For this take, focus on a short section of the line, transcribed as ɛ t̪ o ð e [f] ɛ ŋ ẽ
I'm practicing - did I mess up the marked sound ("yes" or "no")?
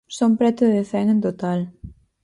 no